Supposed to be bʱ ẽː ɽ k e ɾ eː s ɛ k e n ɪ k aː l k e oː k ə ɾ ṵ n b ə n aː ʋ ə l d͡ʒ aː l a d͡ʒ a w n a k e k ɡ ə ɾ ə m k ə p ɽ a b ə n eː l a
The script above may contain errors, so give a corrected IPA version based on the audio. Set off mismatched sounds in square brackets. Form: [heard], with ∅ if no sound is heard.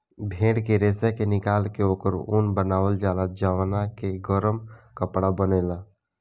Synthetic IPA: bʱ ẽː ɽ k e ɾ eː s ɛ k e n ɪ k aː l k e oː k ə ɾ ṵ n b ə n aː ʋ ə l d͡ʒ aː l a d͡ʒ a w n a k e [∅] ɡ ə ɾ ə m k ə p ɽ a b ə n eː l a